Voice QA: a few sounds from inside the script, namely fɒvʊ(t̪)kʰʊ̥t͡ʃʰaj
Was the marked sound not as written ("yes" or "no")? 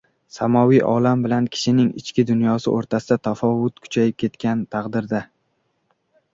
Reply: no